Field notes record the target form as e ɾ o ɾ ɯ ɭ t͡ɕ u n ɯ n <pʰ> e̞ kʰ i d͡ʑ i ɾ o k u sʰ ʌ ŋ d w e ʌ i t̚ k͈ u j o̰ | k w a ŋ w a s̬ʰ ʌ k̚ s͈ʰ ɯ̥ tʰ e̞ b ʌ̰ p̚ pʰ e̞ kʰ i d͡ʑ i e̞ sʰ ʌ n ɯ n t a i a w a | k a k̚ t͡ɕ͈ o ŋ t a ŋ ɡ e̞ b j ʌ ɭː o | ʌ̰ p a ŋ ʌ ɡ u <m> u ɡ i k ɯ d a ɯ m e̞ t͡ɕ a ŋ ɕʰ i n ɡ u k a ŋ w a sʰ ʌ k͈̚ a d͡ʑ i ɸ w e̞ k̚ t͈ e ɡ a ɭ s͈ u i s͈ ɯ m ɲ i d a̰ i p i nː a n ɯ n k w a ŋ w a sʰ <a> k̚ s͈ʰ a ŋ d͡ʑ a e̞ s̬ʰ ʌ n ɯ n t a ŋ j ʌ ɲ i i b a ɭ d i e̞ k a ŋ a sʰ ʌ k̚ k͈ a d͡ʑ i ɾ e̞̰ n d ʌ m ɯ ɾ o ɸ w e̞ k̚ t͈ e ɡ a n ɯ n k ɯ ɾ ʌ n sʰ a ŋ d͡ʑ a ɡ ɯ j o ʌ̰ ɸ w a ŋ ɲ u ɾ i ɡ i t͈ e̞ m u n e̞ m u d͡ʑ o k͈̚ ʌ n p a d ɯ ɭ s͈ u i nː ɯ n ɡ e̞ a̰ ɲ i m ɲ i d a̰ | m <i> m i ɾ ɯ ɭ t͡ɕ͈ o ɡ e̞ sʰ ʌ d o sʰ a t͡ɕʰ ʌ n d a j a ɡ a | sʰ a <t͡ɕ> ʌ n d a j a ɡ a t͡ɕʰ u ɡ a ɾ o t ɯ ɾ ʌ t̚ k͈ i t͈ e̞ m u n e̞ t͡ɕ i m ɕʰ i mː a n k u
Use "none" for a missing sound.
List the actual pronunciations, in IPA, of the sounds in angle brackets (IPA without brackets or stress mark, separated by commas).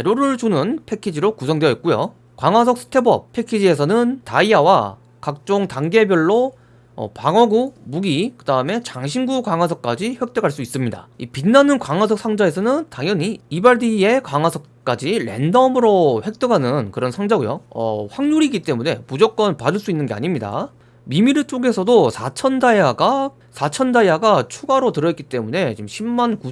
pʰ, m, ʌ, i, t͡ɕʰ